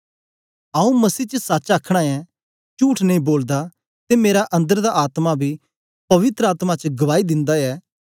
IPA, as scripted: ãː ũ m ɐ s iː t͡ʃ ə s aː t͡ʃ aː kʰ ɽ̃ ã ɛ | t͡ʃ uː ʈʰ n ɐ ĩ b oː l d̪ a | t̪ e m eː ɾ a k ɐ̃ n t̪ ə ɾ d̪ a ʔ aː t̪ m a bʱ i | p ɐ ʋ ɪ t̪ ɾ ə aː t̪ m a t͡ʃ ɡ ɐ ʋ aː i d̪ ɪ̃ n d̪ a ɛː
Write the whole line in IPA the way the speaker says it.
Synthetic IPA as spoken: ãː ũ m ɐ s iː t͡ʃ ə s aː t͡ʃ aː kʰ ɽ̃ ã ɛ | t͡ʃ uː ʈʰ n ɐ ĩ b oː l d̪ a | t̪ e m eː ɾ a ʔ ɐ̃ n d̪ ə ɾ d̪ a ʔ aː t̪ m a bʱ i | p ɐ ʋ ɪ t̪ ɾ ə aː t̪ m a t͡ʃ ɡ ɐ ʋ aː i d̪ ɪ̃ n d̪ a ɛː